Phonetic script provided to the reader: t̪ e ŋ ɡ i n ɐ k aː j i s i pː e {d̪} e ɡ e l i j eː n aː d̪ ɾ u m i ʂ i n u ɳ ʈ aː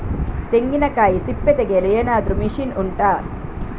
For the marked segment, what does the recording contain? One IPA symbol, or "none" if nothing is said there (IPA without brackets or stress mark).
t̪